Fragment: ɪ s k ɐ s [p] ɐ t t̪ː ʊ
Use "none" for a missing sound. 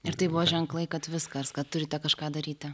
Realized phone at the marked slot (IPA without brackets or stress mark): k